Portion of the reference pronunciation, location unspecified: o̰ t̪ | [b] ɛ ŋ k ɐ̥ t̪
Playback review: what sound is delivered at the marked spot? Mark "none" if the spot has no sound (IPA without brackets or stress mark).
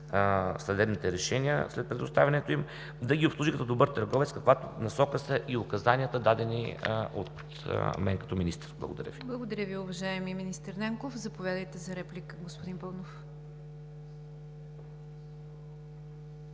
m